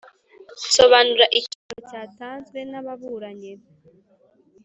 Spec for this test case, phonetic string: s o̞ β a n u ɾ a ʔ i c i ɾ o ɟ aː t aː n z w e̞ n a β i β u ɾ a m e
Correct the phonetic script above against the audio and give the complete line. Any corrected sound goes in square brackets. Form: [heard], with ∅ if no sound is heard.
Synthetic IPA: s o̞ β a n u ɾ a ʔ i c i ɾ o [c] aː t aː n z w e̞ n a β [a] β u ɾ a [ɲ] e